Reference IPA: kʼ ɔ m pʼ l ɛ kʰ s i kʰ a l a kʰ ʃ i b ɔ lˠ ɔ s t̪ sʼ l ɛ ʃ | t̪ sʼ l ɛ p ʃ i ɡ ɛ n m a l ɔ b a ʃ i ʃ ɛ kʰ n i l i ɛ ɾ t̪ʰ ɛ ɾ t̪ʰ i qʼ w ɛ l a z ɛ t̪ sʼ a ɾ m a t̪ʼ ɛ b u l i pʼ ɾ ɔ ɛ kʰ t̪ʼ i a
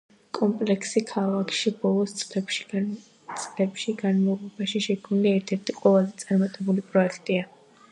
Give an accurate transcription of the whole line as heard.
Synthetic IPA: kʼ ɔ m pʼ l ɛ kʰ s i kʰ a l a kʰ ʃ i b ɔ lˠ ɔ s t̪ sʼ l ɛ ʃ | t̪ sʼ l ɛ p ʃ i ɡ a n m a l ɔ b a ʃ i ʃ ɛ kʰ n i l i ɛ ɾ t̪ʰ ɛ ɾ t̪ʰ i qʼ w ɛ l a z ɛ t̪ sʼ a ɾ m a t̪ʼ ɛ b u l i pʼ ɾ ɔ ɛ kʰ t̪ʼ i a